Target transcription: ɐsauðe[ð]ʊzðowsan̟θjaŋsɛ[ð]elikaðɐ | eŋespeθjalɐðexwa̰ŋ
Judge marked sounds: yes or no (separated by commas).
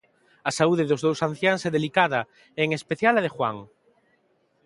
yes, yes